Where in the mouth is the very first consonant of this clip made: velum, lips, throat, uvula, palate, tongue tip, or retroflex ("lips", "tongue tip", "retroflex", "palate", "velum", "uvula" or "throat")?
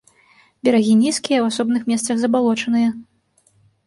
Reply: lips